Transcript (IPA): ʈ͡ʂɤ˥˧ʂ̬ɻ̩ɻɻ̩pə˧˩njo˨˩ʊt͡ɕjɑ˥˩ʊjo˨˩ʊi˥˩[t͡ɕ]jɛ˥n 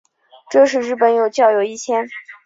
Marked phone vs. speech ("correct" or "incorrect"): incorrect